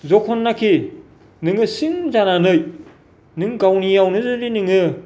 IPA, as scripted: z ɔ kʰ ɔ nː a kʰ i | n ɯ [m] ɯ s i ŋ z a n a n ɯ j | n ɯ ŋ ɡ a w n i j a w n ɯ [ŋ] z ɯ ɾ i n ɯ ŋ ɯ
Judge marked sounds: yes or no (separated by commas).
no, no